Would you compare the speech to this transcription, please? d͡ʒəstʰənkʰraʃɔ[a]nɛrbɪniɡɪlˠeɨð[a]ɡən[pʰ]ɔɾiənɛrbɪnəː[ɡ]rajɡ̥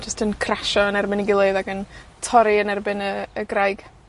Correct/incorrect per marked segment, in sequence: incorrect: ə, correct, incorrect: tʰ, correct

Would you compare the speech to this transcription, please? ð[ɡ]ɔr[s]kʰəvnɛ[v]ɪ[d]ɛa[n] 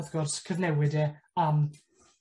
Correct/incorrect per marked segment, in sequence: correct, correct, incorrect: w, correct, incorrect: m

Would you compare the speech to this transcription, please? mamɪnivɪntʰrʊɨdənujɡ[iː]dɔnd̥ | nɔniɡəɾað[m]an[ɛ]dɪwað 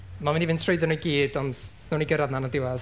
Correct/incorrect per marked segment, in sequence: correct, incorrect: n, incorrect: a

